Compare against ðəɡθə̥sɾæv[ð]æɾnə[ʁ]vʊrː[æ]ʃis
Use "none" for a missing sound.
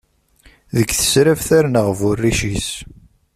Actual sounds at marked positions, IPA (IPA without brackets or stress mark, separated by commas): θ, ʁ, i